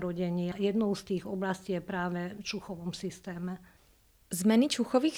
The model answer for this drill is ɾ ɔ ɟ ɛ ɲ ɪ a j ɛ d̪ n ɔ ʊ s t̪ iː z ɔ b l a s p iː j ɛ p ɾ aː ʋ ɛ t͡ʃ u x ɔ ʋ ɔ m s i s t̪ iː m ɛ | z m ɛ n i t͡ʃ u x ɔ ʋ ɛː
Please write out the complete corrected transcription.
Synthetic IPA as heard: ɾ ɔ ɟ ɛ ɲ ɪ a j ɛ d̪ n ɔ ʊ s t̪ iː ɣ ɔ b l a s c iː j ɛ p ɾ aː ʋ ɛ t͡ʃ u x ɔ ʋ ɔ m s i s t̪ ɛː m ɛ | z m ɛ n i t͡ʃ u x ɔ ʋ iː